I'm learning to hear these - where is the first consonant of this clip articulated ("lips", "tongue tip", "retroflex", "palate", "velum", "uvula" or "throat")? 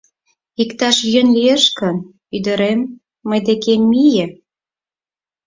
velum